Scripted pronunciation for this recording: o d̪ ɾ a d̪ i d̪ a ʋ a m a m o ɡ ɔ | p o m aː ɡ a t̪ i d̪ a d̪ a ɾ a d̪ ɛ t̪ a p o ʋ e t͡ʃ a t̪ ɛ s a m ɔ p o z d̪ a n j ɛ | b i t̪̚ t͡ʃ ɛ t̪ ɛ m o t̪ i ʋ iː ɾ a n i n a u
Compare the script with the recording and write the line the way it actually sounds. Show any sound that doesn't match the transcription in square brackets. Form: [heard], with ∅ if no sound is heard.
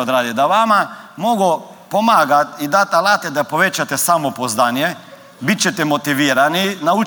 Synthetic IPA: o d̪ ɾ a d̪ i d̪ a ʋ a m a m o ɡ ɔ | p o m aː ɡ a t̪ i d̪ a [t̪] a [l] a [t̪] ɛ [d̪] a p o ʋ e t͡ʃ a t̪ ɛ s a m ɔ p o z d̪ a n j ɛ | b i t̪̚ t͡ʃ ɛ t̪ ɛ m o t̪ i ʋ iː ɾ a n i n a u